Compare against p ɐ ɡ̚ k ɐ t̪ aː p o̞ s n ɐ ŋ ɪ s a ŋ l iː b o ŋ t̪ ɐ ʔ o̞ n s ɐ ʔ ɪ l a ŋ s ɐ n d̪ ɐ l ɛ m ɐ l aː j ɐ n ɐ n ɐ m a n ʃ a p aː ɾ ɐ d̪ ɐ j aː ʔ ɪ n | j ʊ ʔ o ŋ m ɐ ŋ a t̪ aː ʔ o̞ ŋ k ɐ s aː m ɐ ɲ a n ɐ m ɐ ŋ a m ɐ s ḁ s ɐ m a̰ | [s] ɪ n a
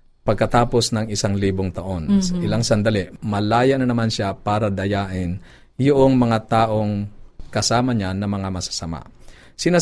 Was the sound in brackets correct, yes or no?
yes